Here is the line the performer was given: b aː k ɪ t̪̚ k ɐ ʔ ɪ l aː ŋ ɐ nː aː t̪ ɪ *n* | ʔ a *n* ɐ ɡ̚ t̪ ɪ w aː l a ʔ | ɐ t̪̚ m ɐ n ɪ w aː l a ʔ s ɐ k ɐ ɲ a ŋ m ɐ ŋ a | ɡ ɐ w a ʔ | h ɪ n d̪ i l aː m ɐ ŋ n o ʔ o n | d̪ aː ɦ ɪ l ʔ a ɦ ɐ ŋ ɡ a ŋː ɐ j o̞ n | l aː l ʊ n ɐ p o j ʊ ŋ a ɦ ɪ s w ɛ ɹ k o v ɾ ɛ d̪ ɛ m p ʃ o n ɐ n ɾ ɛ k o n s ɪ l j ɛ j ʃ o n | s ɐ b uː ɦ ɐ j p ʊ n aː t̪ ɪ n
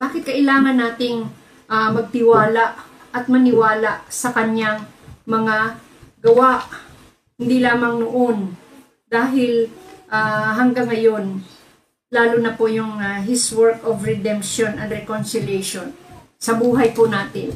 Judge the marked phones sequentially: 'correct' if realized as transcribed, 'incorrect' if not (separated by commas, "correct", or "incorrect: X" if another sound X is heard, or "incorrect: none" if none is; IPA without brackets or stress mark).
incorrect: ŋ, incorrect: m